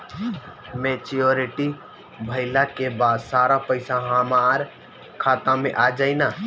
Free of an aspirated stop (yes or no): no